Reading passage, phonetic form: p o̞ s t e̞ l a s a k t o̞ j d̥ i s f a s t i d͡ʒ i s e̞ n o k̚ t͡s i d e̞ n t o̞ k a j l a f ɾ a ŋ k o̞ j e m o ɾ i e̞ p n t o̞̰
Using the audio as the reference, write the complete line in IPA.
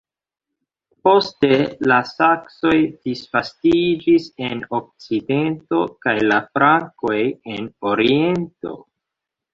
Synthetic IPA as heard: p o̞ s t e̞ l a s a k s o̞ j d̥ i s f a s t i d͡ʒ i s e̞ n o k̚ t͡s i d e̞ n t o̞ k a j l a f ɾ a ŋ k o̞ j e n o ɾ i e̞ n t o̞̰